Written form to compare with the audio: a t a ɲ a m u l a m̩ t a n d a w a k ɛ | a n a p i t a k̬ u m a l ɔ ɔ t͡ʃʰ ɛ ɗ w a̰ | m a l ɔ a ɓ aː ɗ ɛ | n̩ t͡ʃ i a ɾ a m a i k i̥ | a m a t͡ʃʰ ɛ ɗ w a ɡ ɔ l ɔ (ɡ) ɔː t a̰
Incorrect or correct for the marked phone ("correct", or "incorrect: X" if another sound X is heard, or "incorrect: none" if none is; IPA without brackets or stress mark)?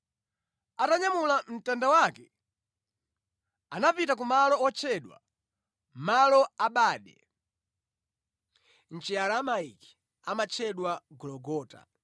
correct